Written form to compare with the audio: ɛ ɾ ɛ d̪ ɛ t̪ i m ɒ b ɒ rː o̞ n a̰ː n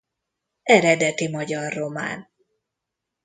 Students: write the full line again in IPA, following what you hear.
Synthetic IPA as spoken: ɛ ɾ ɛ d̪ ɛ t̪ i m ɒ ɟ ɒ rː o̞ m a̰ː n